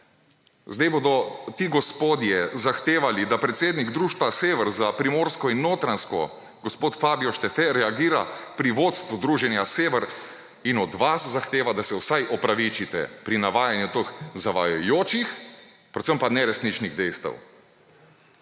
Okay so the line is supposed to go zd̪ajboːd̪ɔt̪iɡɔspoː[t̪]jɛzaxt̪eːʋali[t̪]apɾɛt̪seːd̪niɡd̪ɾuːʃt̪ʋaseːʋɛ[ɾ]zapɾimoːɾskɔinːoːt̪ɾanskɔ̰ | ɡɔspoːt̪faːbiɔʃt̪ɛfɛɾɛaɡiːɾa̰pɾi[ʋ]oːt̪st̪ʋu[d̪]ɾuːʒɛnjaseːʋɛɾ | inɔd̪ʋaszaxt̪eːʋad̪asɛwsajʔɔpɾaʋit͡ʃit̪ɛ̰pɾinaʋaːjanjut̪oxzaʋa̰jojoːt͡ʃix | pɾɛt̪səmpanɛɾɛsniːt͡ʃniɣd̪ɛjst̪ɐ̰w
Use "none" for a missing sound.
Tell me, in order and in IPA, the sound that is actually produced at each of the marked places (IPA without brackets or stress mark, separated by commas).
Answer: d̪, d̪, ɾ, ʋ, d̪